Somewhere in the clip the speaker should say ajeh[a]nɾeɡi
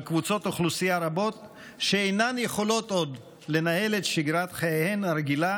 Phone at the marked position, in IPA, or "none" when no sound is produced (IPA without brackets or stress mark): e